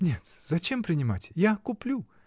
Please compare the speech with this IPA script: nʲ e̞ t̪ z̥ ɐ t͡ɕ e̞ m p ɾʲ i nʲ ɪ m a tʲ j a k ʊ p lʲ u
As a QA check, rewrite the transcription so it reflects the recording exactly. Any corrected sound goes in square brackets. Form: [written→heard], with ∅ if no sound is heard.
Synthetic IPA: nʲ e̞ t̪ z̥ ɐ t͡ɕ e̞ m p ɾʲ [i→ɪ] nʲ ɪ m a tʲ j a k ʊ p lʲ u